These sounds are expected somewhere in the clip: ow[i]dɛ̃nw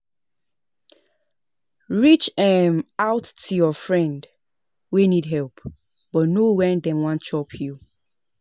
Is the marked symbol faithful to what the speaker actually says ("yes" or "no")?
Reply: no